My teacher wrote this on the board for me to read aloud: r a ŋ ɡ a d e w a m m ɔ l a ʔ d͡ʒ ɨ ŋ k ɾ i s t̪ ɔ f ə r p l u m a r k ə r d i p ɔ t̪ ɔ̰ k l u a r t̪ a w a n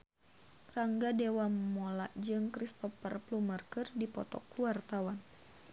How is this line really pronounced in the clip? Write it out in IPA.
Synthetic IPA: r a ŋ ɡ a d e w a m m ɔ l a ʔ d͡ʒ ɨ ŋ k ɾ i s t̪ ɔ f ə r p l u m a r k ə r d i p ɔ t̪ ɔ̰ k l u a r t̪ a w a n